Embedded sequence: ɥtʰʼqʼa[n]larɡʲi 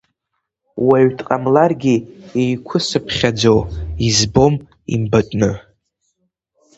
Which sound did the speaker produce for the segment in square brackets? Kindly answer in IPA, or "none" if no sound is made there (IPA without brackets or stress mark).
m